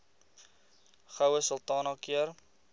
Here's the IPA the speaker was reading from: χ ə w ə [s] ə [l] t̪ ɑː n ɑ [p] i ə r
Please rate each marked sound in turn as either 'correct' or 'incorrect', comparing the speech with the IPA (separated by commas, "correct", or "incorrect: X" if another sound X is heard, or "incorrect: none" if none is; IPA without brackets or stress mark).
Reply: correct, correct, incorrect: k